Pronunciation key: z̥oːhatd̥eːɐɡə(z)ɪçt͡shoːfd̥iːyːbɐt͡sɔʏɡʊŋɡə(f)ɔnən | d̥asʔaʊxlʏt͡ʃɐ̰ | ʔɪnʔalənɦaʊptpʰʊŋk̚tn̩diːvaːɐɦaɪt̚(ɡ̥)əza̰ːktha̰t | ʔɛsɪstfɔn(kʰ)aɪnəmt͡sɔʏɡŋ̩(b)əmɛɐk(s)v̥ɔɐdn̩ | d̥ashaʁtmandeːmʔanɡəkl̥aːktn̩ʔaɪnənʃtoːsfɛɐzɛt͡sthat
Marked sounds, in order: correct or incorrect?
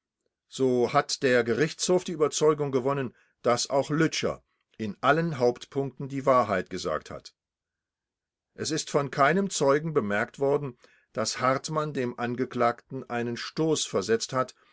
incorrect: ʁ, incorrect: v, correct, correct, correct, incorrect: t

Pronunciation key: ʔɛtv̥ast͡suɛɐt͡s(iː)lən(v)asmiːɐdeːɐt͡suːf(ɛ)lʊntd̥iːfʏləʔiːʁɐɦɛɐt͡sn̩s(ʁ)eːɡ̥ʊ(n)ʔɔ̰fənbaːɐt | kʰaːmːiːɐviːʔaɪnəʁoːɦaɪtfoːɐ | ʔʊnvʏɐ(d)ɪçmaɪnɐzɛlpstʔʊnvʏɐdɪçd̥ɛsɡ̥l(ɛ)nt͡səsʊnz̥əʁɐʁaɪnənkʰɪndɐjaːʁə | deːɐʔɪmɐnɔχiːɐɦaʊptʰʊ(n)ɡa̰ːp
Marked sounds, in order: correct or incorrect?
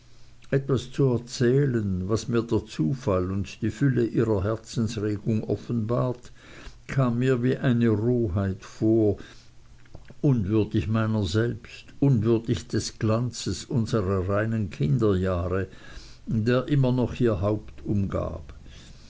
incorrect: ɛː, correct, incorrect: a, correct, incorrect: ŋ, correct, incorrect: a, incorrect: m

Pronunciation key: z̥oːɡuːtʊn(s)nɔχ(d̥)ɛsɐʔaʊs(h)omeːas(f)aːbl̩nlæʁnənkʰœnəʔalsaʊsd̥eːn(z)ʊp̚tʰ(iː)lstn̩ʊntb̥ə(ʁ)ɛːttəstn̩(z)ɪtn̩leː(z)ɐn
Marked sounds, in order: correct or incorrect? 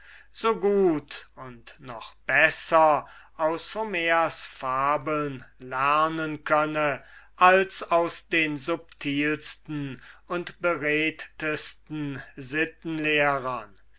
incorrect: t, incorrect: b̥, correct, correct, correct, correct, correct, correct, incorrect: ʁ

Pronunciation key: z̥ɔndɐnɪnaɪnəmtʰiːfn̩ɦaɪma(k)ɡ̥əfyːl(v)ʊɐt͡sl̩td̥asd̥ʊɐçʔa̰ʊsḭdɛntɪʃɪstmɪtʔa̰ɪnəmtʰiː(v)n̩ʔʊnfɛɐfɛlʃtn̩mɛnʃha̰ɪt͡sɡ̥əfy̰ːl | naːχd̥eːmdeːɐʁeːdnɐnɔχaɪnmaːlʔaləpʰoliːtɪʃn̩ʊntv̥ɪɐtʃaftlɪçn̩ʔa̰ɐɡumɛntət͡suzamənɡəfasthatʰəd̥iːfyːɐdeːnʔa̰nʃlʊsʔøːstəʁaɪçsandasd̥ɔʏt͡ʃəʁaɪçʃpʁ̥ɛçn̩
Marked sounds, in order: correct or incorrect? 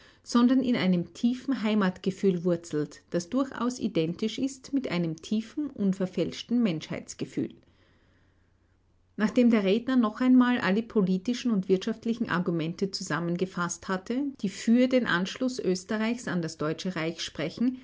incorrect: t, correct, incorrect: f

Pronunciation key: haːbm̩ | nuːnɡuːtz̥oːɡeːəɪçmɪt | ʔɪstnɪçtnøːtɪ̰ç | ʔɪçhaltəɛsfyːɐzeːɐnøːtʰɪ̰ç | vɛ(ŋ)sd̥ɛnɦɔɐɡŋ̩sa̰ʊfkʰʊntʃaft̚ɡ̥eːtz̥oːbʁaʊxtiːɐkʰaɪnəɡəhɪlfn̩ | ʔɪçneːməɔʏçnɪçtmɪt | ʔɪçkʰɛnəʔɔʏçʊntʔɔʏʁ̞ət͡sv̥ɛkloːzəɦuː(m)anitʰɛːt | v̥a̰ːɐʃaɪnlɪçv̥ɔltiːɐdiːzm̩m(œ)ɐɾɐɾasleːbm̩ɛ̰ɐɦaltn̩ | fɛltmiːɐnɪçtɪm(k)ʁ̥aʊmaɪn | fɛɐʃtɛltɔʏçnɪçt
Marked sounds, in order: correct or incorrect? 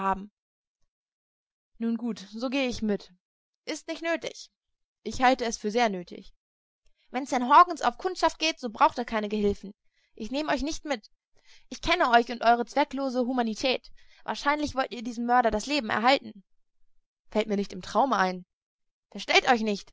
incorrect: n, correct, correct, incorrect: t

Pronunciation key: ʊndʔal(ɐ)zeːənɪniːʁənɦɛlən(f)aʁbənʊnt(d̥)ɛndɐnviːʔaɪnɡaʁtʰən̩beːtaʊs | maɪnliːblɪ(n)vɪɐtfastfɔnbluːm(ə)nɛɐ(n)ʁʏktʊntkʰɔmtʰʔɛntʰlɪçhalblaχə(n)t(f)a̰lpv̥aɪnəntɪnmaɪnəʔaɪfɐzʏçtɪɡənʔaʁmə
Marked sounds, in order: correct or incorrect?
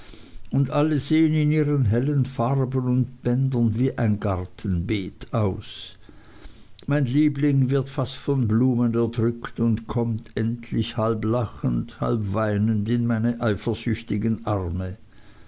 incorrect: ə, correct, incorrect: b̥, incorrect: ŋ, correct, incorrect: d, correct, incorrect: h

